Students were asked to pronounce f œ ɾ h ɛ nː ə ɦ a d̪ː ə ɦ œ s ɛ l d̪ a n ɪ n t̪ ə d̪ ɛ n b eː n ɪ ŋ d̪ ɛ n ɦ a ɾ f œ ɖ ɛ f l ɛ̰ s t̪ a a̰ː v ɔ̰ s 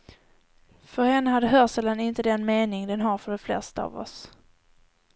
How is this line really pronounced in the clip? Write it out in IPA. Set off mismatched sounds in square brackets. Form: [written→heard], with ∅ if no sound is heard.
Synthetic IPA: f œ ɾ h ɛ nː ə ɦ a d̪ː ə ɦ œ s ɛ l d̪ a n ɪ n t̪ ə d̪ ɛ n [b→m] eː n ɪ ŋ d̪ ɛ n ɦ a ɾ f œ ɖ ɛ f l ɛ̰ s t̪ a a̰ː v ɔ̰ s